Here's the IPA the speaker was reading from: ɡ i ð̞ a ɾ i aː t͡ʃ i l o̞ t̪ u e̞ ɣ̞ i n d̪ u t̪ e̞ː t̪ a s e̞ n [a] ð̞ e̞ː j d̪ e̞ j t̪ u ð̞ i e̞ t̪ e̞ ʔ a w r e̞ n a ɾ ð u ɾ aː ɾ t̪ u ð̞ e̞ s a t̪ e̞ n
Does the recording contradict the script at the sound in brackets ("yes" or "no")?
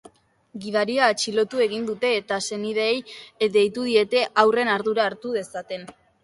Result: yes